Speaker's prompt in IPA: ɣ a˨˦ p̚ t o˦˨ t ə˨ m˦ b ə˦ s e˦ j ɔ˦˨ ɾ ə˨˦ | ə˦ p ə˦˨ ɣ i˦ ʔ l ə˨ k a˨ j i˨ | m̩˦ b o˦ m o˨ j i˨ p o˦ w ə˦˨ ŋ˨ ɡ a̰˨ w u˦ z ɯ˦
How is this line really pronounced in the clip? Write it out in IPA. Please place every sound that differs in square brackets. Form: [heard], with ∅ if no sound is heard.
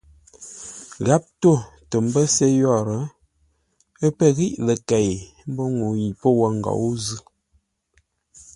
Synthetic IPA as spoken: ɣ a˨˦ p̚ t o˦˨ t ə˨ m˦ b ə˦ s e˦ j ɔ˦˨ ɾ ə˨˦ | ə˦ p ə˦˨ ɣ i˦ ʔ l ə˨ k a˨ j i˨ | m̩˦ b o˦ [ŋ] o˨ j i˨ p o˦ w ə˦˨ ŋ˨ ɡ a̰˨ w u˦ z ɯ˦